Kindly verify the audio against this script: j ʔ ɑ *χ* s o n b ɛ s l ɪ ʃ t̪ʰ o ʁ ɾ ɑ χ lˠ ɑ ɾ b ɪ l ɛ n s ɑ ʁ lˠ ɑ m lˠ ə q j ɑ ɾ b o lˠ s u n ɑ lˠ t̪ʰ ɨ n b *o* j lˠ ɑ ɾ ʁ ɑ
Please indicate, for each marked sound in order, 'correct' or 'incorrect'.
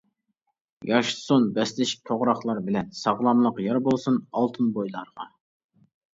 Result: incorrect, correct

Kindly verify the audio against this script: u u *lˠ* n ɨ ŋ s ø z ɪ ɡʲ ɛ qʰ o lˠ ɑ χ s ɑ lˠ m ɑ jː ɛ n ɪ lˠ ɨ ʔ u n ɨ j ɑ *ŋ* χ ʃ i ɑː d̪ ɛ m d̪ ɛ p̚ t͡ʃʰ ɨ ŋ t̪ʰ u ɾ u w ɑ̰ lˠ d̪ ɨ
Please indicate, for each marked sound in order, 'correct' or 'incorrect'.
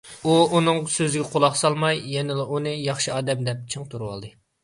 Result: incorrect, incorrect

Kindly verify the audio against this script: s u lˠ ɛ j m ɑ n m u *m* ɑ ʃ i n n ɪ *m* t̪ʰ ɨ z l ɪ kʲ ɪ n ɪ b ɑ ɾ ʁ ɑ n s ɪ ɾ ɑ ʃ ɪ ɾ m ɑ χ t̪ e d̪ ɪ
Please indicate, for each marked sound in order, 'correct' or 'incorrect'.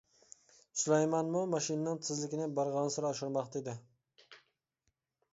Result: correct, incorrect

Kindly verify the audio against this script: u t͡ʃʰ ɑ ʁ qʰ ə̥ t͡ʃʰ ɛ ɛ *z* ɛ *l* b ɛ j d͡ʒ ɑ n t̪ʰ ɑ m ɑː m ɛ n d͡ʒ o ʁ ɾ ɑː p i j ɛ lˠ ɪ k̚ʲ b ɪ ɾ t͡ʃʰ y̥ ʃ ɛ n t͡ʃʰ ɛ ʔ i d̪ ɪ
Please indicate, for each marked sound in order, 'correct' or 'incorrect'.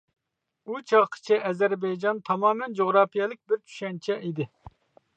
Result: correct, incorrect

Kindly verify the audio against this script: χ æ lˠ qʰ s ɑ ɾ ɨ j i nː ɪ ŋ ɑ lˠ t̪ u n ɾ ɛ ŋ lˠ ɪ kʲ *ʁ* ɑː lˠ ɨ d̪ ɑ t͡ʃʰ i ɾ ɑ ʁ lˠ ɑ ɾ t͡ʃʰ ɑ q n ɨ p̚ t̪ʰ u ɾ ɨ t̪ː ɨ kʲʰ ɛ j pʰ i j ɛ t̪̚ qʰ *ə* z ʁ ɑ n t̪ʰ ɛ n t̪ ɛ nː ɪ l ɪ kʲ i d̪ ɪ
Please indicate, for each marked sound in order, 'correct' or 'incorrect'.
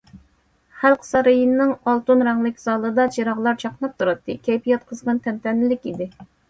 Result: incorrect, correct

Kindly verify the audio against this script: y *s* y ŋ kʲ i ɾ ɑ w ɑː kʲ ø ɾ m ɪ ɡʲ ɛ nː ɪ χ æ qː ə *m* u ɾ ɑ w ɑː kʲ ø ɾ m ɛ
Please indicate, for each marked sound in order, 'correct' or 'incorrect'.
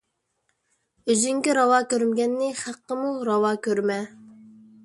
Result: incorrect, correct

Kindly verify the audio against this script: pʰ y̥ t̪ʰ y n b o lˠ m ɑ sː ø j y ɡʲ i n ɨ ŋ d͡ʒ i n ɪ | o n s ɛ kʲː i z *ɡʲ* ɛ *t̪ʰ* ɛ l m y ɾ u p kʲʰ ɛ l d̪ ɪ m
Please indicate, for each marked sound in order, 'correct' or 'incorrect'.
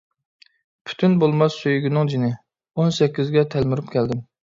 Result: correct, correct

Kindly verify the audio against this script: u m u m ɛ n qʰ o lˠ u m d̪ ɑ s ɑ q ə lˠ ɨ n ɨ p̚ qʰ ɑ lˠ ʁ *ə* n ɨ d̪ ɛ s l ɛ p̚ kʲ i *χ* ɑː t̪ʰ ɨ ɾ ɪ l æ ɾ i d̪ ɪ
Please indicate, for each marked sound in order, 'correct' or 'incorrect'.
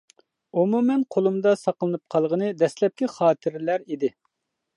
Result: correct, correct

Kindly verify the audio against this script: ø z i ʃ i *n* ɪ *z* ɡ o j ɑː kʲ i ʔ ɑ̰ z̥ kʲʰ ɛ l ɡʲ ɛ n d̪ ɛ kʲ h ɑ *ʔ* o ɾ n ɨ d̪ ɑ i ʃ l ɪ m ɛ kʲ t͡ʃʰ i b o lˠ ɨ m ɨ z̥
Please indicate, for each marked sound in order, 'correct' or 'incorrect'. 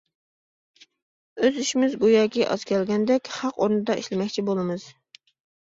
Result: incorrect, correct, incorrect

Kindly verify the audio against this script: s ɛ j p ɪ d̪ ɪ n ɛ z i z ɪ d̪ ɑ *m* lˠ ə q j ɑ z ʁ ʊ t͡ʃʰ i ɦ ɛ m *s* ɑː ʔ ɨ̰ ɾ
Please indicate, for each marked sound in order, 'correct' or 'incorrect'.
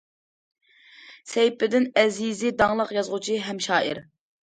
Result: incorrect, incorrect

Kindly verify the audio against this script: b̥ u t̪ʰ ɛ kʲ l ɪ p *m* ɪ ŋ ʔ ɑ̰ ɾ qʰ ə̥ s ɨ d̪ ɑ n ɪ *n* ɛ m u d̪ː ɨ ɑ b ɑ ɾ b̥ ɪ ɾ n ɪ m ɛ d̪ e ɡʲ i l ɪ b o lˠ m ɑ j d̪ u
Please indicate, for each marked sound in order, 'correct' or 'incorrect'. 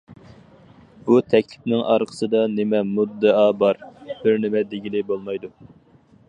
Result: incorrect, incorrect

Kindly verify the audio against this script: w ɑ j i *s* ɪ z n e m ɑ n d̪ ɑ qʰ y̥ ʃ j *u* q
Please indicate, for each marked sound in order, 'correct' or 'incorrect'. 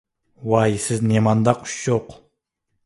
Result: correct, incorrect

